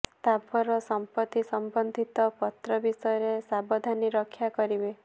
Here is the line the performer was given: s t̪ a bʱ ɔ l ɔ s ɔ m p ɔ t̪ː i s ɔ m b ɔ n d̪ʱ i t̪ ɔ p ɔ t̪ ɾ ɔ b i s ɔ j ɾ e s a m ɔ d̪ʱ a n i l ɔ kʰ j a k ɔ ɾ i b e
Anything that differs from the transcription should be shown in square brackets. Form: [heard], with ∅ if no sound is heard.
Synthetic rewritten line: s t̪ a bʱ ɔ [ɾ] ɔ s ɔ m p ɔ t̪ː i s ɔ m b ɔ n d̪ʱ i t̪ ɔ p ɔ t̪ ɾ ɔ b i s ɔ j ɾ e s a [b] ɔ d̪ʱ a n i [ɾ] ɔ kʰ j a k ɔ ɾ i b e